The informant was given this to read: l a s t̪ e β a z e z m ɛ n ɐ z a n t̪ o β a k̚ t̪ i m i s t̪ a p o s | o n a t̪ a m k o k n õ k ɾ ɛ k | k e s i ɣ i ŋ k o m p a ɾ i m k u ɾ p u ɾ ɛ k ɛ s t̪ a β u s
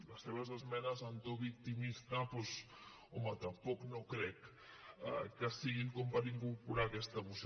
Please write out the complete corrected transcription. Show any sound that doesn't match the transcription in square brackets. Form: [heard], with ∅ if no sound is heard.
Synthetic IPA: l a s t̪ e β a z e z m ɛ n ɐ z a n t̪ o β [i] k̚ t̪ i m i s t̪ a p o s | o [m] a t̪ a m [p] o k n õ k ɾ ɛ k | k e s i ɣ i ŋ k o m p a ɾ i [ŋ] k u ɾ p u ɾ [a] k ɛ s t̪ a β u s